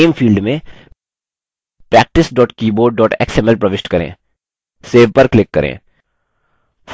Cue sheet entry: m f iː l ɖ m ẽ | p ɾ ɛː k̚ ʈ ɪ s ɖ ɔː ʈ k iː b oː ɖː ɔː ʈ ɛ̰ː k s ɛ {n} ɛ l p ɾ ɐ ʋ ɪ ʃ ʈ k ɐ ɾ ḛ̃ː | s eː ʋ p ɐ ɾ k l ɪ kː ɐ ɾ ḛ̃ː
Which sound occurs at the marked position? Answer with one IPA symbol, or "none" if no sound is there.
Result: m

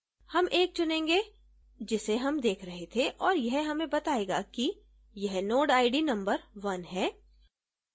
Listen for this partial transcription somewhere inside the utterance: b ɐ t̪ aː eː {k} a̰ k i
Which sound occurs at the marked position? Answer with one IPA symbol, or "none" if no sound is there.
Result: ɡ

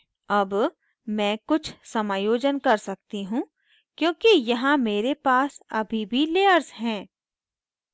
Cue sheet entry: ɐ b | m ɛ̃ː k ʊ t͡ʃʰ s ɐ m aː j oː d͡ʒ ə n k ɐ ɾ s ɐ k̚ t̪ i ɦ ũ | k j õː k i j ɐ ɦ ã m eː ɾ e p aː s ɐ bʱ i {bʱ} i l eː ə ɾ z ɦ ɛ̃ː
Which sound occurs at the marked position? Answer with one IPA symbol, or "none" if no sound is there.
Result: bʱ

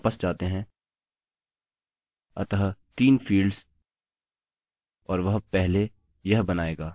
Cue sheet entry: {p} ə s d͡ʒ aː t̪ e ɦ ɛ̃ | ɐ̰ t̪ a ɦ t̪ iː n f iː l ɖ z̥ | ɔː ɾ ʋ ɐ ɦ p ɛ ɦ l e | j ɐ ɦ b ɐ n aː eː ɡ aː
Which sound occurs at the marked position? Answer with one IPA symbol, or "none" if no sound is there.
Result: p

